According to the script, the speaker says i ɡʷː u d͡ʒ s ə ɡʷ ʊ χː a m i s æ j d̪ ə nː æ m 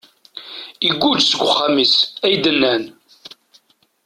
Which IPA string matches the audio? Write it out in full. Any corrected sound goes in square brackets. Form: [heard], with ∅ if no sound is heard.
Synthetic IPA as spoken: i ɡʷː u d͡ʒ s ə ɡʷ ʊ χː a m i s æ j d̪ ə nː æ [n]